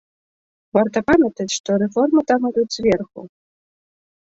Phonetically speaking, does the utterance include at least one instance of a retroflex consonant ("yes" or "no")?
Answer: yes